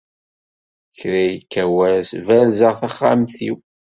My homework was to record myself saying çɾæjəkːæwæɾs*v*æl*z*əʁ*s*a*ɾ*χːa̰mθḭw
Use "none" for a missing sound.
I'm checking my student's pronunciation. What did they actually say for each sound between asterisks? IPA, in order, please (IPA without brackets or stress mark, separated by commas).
v, z, θ, none